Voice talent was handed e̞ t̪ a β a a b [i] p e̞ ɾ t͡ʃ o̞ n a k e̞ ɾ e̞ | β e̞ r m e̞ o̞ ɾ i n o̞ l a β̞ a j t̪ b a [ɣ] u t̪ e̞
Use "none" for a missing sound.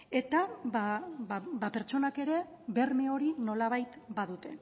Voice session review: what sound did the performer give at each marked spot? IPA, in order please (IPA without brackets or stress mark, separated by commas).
a, ð